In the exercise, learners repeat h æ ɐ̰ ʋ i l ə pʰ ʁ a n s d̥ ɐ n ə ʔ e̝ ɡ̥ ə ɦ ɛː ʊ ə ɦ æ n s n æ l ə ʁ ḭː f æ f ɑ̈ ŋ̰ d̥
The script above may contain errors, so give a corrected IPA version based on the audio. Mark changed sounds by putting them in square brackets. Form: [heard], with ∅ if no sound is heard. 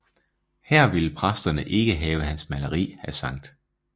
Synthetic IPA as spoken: h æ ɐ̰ ʋ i l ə pʰ ʁ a [∅] s d̥ ɐ n ə ʔ e̝ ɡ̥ ə ɦ ɛː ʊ ə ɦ æ n s [m] æ l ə ʁ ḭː [h] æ [s] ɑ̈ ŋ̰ d̥